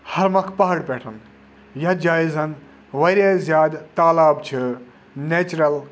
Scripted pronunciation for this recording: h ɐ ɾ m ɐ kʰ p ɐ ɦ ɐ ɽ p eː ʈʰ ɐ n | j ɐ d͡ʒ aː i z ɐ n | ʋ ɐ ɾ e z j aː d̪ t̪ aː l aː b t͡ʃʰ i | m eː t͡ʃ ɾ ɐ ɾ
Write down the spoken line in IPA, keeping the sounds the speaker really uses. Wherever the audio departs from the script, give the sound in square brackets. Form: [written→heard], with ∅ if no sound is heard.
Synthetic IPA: h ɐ ɾ m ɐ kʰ p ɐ ɦ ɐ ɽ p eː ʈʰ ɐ n | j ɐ d͡ʒ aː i z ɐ n | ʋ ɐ ɾ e z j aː d̪ t̪ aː l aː b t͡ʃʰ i | [m→n] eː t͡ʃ ɾ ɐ [ɾ→l]